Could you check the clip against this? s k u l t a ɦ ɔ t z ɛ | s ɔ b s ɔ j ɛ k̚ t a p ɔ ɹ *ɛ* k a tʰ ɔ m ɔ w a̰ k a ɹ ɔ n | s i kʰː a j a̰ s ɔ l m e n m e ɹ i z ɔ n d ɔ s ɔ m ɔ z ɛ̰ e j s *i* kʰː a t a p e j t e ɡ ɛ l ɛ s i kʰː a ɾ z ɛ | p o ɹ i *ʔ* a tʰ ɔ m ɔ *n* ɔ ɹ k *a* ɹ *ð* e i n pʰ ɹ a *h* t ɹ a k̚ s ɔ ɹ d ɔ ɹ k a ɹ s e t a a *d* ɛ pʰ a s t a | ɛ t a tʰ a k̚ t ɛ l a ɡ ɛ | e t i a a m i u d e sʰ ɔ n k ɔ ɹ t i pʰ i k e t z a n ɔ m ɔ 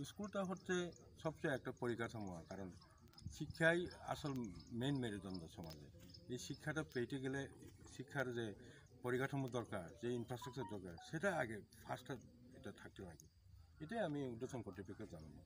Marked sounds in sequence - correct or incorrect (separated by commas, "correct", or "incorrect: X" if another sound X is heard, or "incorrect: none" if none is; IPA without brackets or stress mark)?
incorrect: i, correct, incorrect: k, incorrect: d, correct, incorrect: z, incorrect: s, incorrect: ɡ